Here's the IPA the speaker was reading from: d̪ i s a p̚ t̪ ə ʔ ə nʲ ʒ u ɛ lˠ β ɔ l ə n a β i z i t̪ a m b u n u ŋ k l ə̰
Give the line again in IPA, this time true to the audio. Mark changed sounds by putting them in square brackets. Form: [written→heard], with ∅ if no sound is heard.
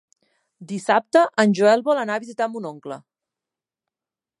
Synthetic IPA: d̪ i s a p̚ t̪ ə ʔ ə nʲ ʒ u ɛ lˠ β ɔ l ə n a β i z i t̪ a m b u n [u→o] ŋ k l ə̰